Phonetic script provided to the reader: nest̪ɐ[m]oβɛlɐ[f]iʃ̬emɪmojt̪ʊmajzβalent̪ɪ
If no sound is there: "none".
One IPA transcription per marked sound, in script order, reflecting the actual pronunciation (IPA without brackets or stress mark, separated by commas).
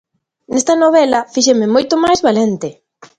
n, f